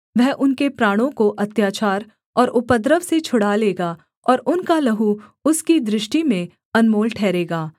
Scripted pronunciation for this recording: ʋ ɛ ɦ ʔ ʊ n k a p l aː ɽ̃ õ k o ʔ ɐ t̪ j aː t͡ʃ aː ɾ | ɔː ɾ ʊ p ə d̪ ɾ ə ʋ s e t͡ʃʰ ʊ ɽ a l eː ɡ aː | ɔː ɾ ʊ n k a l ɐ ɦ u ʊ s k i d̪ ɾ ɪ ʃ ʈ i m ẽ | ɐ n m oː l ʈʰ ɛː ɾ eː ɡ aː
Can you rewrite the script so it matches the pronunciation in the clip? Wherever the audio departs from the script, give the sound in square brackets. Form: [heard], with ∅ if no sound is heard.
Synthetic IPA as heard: ʋ ɛ ɦ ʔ ʊ n k [e] p [ɾ] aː ɽ̃ õ k o ʔ ɐ t̪ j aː t͡ʃ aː ɾ | ɔː ɾ ʊ p ə d̪ ɾ ə ʋ s e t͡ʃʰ ʊ ɽ a l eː ɡ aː | ɔː ɾ ʊ n k a l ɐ ɦ u ʊ s k i d̪ ɾ ɪ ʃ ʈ i m ẽ | ɐ n m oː l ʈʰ ɛː ɾ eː ɡ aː

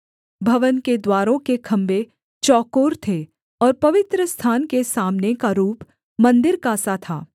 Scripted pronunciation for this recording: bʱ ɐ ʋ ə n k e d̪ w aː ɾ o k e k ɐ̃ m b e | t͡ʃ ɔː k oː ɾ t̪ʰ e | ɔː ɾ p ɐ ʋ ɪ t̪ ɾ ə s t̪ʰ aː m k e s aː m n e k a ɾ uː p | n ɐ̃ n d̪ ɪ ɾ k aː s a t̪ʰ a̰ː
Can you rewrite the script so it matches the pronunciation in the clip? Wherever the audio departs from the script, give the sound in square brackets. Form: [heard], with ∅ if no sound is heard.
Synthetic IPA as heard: bʱ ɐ ʋ ə n k e d̪ w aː ɾ [õ] k e [kʰ] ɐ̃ m b e | t͡ʃ ɔː k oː ɾ t̪ʰ e | ɔː ɾ p ɐ ʋ ɪ t̪ ɾ ə s t̪ʰ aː [n] k e s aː m n e k a ɾ uː p | [m] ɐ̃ n d̪ ɪ ɾ k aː s a t̪ʰ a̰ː

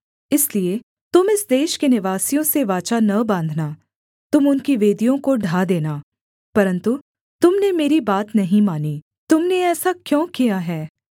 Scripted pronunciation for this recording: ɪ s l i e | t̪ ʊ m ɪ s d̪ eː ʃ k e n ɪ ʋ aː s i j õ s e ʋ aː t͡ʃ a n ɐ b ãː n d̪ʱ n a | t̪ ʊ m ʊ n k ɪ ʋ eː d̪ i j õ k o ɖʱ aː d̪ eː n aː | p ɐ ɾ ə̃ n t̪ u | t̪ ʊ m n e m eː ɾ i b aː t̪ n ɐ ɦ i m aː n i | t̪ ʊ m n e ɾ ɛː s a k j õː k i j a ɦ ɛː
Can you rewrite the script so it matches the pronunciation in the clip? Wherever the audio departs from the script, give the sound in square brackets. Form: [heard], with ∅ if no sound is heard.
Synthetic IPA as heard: ɪ s l i e | t̪ ʊ m ɪ s d̪ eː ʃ k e n ɪ ʋ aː s i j õ s e ʋ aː t͡ʃ a n ɐ b ãː n d̪ʱ n a | t̪ ʊ m ʊ n k [i] ʋ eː d̪ i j õ k o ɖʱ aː d̪ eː n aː | p ɐ ɾ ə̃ n t̪ u | t̪ ʊ m n e m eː ɾ i b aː t̪ n ɐ ɦ [ĩ] m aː n i | t̪ ʊ m n e [∅] ɛː s a k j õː k i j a ɦ ɛː

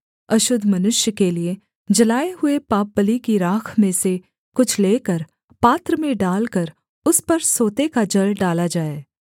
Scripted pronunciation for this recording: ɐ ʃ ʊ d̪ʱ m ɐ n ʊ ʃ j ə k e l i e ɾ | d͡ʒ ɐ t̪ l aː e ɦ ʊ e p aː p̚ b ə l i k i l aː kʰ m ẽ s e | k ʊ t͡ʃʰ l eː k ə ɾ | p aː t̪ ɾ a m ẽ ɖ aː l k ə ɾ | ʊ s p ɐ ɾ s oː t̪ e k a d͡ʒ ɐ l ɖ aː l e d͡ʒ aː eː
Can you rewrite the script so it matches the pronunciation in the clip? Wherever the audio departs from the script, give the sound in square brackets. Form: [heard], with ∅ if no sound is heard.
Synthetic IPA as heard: ɐ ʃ ʊ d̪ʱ m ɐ n ʊ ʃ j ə k e l i e [∅] | d͡ʒ ɐ [∅] l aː e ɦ ʊ e p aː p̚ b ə l i k i [ɾ] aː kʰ m ẽ s e | k ʊ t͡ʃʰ l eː k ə ɾ | p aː t̪ ɾ [ə] m ẽ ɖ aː l k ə ɾ | ʊ s p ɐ ɾ s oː t̪ e k a d͡ʒ ɐ l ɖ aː l [a] d͡ʒ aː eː

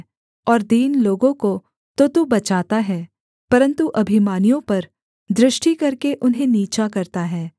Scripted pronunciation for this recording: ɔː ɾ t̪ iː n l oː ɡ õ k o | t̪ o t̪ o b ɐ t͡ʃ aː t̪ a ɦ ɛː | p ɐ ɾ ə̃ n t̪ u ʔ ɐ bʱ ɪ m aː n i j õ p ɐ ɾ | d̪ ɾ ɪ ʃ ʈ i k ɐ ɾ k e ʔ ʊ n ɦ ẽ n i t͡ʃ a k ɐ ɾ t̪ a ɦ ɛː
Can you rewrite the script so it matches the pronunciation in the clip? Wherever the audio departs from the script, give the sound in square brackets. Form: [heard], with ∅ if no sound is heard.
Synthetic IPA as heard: ɔː ɾ [d̪] iː n l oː ɡ õ k o | t̪ o t̪ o b ɐ t͡ʃ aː t̪ a ɦ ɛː | p ɐ ɾ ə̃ n t̪ u ʔ ɐ bʱ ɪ m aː n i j õ p ɐ ɾ | d̪ ɾ ɪ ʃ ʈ i k ɐ ɾ k e ʔ ʊ n ɦ ẽ n [iː] t͡ʃ a k ɐ ɾ t̪ a ɦ ɛː

